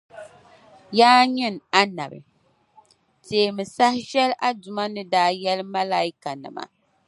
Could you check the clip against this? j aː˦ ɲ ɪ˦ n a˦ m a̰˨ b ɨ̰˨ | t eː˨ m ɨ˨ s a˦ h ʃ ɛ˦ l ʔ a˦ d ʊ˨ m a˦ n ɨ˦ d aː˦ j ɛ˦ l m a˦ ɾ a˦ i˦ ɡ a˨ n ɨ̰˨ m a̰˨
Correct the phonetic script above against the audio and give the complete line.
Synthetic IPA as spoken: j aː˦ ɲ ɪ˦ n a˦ n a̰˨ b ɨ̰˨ | t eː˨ m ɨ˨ s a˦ h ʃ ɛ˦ l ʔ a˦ d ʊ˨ m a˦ n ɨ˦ d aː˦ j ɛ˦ l m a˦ l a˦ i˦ k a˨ n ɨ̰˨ m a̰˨